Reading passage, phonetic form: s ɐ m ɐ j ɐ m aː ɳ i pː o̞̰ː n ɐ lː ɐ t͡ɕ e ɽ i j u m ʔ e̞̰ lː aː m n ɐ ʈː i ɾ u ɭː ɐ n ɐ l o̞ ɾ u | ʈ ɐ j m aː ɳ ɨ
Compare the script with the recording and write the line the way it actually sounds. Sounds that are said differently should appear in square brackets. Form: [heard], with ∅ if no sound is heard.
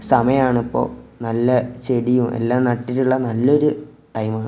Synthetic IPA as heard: s ɐ m ɐ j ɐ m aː ɳ i pː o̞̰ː n ɐ lː ɐ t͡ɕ e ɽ i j u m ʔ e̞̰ lː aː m n ɐ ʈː i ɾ u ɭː ɐ n ɐ [lː] o̞ ɾ u | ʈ ɐ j m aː ɳ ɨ